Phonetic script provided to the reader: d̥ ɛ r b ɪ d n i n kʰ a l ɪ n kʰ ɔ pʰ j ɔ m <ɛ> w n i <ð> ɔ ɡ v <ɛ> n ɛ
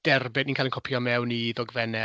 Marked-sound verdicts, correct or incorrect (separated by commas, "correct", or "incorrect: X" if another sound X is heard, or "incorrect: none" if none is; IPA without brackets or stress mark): correct, correct, correct